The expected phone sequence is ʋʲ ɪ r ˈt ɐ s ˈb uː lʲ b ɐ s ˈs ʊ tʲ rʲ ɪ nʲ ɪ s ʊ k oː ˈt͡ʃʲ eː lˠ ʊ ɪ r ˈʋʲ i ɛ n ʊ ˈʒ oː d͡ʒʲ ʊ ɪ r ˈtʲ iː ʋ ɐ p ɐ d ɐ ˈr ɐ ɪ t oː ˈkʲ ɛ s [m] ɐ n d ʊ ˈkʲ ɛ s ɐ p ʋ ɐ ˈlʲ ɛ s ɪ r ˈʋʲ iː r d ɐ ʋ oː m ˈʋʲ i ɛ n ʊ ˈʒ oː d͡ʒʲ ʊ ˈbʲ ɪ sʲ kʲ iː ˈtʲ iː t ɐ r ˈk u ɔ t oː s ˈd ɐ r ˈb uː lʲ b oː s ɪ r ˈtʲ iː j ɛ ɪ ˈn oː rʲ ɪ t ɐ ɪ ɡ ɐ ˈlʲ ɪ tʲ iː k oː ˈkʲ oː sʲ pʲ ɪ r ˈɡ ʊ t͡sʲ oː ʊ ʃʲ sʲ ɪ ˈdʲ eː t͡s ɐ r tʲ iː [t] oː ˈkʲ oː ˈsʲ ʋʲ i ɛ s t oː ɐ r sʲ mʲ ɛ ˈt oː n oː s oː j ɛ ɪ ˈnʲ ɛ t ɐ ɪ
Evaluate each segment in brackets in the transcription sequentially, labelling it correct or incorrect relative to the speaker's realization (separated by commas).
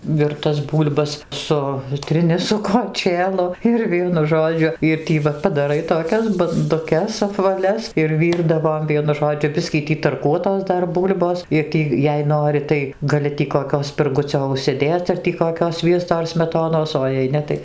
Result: incorrect, incorrect